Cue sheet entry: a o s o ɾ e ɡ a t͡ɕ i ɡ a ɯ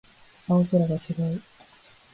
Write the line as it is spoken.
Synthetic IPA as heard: a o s o ɾ a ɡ a t͡ɕ i ɡ a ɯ